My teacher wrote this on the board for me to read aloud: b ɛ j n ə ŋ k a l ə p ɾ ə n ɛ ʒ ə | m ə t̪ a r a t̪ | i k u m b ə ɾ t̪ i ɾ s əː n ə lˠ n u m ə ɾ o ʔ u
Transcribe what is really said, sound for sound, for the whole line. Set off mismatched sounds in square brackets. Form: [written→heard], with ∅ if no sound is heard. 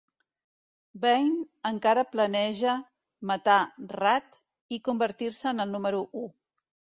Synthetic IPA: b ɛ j n ə ŋ k a [l→ɾ] ə p [ɾ→l] ə n ɛ ʒ ə | m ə t̪ a r a t̪ | i k u m b ə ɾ t̪ i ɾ s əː n ə lˠ n u m ə ɾ [o→u] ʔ u

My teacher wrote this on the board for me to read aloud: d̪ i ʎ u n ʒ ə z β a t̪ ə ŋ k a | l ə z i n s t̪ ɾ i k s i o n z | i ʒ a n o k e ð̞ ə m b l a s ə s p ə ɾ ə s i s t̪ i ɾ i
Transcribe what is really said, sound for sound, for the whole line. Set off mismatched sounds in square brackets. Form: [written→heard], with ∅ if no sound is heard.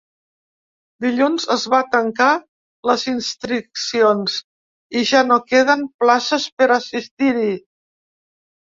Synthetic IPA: d̪ i ʎ u n [ʒ→z] ə z β a t̪ ə ŋ k a | l ə z i n s t̪ ɾ i k s i o n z | i ʒ a n o k e ð̞ ə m [b→p] l a s ə s p ə ɾ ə s i s t̪ i ɾ i

